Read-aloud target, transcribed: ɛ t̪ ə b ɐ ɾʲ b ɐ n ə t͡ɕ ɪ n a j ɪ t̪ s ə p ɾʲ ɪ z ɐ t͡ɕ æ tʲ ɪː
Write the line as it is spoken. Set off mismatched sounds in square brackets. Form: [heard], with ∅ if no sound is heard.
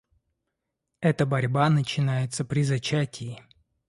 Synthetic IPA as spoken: ɛ t̪ ə b ɐ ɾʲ b [a] n ə t͡ɕ ɪ n a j ɪ t̪ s ə p ɾʲ ɪ z ɐ t͡ɕ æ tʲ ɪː